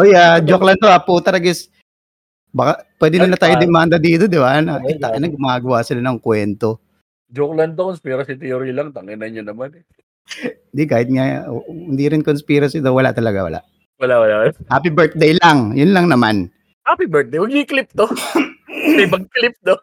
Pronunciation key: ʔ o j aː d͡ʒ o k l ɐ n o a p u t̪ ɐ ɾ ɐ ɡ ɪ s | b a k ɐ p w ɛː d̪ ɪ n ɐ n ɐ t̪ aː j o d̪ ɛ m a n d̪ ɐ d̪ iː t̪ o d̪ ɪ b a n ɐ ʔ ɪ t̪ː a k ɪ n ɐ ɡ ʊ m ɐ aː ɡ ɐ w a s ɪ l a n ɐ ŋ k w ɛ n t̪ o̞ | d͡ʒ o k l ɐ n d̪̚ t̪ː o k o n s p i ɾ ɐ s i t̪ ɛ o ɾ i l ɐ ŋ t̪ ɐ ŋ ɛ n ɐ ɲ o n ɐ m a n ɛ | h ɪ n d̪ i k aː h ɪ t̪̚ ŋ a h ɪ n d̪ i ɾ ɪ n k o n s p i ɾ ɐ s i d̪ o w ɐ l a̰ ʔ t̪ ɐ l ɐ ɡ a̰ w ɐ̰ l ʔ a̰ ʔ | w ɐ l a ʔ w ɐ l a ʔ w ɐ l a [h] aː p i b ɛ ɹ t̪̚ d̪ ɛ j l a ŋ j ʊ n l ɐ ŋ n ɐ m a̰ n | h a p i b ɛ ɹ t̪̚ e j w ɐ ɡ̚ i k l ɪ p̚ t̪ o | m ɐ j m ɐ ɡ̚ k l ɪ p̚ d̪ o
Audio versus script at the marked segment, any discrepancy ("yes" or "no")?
no